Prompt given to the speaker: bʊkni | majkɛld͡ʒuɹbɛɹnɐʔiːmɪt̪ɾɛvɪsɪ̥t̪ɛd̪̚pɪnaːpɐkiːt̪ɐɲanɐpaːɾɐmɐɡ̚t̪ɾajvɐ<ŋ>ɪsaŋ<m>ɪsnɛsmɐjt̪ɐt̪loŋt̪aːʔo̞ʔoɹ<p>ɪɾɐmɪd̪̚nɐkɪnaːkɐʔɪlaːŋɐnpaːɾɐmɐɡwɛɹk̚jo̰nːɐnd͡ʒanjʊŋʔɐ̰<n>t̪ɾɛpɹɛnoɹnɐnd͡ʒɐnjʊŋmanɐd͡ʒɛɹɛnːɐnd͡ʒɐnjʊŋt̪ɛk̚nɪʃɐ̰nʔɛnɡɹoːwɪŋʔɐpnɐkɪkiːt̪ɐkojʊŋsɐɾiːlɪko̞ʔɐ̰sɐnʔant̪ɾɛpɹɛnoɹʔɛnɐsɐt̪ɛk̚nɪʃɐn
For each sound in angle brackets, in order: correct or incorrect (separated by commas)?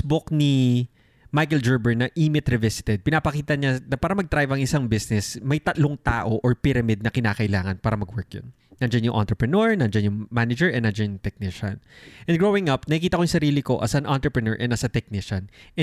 correct, incorrect, correct, correct